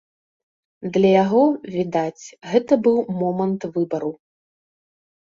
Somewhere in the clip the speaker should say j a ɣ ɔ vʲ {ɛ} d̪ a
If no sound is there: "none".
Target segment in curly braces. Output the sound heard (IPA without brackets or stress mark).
i